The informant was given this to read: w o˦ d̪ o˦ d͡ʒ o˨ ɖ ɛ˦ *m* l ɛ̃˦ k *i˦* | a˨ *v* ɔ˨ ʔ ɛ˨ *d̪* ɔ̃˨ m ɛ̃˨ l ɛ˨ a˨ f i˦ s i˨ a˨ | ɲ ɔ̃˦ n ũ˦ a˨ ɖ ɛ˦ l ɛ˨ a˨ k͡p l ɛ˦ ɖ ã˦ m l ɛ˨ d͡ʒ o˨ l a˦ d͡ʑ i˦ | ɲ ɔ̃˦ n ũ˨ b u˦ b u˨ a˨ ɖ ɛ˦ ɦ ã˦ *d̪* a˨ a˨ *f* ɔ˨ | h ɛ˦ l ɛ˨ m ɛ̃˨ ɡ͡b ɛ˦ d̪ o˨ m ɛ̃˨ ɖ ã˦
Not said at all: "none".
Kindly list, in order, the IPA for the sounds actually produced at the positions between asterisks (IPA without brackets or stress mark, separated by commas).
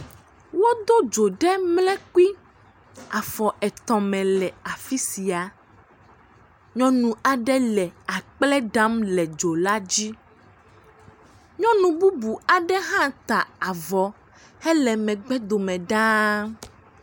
m, i˦, f, t̪, t̪, v